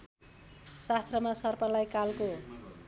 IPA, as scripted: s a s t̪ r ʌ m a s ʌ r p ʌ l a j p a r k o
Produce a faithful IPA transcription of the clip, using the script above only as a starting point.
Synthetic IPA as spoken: s a s t̪ r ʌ m a s ʌ r p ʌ l a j k a l k o